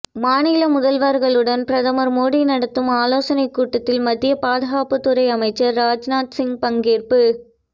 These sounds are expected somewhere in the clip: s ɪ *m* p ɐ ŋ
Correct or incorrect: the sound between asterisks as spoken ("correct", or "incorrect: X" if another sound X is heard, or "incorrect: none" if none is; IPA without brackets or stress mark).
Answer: incorrect: ŋ